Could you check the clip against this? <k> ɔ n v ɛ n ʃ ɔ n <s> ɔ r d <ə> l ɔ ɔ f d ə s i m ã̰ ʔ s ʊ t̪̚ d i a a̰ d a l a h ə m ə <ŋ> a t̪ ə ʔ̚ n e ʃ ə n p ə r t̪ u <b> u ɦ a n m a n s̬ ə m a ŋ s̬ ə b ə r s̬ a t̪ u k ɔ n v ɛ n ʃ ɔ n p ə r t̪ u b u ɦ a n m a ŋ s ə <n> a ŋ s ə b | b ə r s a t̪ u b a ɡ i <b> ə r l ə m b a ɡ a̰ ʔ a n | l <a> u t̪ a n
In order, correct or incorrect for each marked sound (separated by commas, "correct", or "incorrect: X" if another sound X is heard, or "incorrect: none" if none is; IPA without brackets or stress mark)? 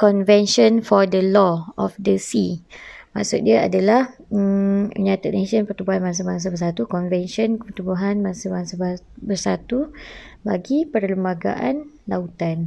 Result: correct, incorrect: f, correct, incorrect: ɲ, correct, incorrect: m, incorrect: p, correct